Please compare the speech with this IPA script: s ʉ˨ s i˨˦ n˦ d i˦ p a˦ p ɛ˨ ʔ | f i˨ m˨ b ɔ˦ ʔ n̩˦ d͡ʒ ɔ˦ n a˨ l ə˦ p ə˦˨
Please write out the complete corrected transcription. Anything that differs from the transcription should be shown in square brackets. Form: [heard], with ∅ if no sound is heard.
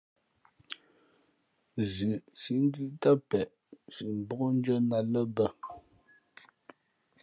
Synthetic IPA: [z] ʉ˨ s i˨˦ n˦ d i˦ [t] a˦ p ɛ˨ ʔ | [s] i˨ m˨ b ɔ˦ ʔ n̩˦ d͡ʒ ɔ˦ n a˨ l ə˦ [b] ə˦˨